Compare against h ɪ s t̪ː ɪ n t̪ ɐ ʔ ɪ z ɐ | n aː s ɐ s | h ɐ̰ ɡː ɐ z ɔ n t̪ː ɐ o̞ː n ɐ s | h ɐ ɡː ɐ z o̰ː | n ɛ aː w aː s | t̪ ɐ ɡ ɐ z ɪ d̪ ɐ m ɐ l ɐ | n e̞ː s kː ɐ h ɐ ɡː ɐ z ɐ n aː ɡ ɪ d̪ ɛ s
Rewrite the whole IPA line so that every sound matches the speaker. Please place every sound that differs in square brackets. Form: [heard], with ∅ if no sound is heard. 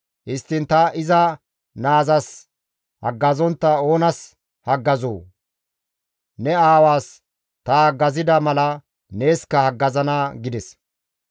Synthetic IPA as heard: h ɪ s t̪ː ɪ n t̪ ɐ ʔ ɪ z ɐ | n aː [z] ɐ s | h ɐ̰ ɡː ɐ z ɔ n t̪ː ɐ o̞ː n ɐ s | h ɐ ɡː ɐ z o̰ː | n ɛ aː w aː s | t̪ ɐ ɡ ɐ z ɪ d̪ ɐ m ɐ l ɐ | n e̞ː s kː ɐ h ɐ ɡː ɐ z ɐ n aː ɡ ɪ d̪ ɛ s